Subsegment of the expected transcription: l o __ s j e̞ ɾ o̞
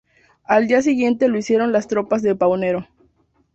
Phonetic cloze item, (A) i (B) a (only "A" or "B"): A